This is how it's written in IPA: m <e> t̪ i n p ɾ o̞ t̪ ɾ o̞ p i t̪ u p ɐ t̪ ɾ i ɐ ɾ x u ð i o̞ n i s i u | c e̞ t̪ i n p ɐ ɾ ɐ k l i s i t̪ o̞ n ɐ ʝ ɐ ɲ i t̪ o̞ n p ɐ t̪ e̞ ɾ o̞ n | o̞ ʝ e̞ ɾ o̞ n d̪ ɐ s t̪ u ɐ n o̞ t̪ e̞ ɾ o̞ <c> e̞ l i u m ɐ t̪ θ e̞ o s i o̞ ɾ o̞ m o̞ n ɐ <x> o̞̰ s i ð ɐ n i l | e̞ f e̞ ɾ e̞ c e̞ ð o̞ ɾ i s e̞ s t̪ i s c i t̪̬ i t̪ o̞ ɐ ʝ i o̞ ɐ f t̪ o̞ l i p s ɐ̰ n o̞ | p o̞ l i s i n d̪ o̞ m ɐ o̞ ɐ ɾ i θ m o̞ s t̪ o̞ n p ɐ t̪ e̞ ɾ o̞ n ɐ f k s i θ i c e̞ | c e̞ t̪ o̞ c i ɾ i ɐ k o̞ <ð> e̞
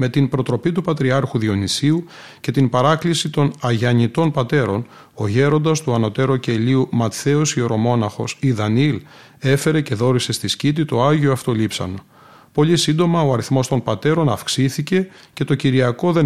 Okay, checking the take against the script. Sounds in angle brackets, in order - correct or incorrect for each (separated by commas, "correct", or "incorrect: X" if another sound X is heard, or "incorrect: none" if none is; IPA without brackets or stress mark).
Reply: correct, correct, correct, correct